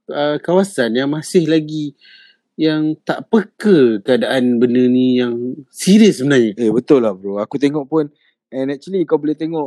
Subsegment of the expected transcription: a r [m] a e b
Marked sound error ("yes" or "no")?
yes